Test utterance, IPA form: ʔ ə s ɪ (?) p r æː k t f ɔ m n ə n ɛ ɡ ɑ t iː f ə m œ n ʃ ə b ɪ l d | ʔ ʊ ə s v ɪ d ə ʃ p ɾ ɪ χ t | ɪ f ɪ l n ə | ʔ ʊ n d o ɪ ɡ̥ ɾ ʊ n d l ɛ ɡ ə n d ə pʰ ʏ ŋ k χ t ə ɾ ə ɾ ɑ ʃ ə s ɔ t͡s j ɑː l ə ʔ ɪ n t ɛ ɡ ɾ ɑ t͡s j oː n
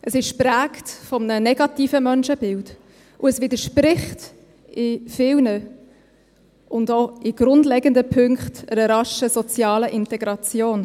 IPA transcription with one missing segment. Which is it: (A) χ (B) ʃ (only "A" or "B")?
B